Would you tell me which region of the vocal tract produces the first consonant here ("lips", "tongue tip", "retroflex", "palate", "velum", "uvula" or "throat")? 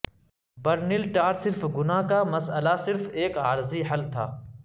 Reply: lips